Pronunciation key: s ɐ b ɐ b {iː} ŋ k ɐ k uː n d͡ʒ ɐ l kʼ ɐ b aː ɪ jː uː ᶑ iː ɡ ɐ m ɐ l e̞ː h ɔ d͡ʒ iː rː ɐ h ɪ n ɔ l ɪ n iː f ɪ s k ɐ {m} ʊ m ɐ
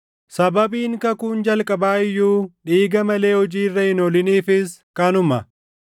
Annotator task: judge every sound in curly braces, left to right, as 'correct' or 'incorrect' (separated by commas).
correct, incorrect